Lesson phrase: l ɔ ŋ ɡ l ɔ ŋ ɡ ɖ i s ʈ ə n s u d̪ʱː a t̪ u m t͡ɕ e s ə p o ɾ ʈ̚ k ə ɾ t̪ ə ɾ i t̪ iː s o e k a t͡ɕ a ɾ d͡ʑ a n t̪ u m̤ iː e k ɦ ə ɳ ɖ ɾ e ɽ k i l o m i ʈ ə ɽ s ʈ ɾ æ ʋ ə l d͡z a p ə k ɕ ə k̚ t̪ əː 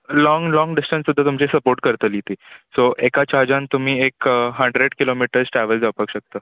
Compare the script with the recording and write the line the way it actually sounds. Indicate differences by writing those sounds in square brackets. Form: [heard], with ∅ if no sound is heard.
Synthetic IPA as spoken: l ɔ ŋ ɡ l ɔ ŋ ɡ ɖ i s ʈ ə n s u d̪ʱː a t̪ u m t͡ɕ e s ə p o ɾ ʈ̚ k ə ɾ t̪ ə [l] i t̪ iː s o e k a t͡ɕ a ɾ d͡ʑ a n t̪ u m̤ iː e k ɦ ə ɳ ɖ ɾ e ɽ k i l o m i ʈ ə [ɾ] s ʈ ɾ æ ʋ ə l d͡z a p ə k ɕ ə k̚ t̪ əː